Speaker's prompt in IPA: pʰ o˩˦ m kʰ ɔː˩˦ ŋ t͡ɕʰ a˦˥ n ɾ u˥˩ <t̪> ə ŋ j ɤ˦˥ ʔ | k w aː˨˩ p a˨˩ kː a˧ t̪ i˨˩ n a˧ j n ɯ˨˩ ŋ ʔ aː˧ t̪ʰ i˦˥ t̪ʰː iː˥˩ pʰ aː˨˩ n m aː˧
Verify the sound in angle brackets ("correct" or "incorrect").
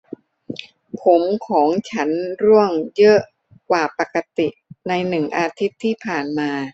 incorrect